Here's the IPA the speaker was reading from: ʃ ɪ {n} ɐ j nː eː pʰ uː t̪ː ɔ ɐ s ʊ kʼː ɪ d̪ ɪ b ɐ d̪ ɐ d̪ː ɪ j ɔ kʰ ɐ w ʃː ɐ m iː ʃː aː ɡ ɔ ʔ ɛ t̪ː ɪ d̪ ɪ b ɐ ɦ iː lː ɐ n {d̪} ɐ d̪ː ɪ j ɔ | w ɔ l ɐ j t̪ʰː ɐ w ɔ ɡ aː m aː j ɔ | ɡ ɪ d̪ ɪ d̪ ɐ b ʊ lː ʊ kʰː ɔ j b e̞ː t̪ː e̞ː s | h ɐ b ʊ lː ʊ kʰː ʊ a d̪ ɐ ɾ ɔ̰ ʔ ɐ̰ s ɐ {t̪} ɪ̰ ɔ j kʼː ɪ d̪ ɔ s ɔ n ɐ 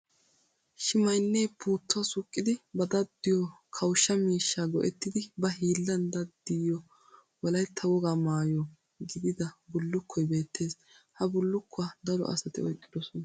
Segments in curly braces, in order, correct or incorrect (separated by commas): incorrect, correct, correct